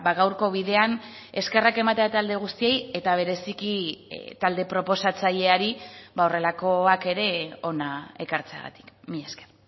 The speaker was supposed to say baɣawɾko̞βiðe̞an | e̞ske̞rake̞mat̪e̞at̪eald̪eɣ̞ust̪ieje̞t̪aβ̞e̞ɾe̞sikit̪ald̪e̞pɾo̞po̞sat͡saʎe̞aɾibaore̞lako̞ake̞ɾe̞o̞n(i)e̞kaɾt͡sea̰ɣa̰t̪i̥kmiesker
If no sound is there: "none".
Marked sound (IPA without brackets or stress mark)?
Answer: a